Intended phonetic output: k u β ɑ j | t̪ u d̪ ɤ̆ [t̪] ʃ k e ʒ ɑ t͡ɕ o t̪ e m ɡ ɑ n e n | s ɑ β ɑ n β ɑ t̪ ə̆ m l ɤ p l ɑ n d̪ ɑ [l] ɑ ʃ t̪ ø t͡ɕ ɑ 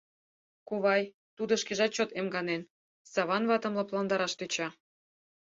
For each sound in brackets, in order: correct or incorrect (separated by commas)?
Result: incorrect, incorrect